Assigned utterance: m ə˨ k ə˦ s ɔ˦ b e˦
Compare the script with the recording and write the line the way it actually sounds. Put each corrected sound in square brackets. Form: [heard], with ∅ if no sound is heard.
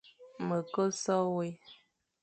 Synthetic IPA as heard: m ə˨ k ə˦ s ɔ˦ [w] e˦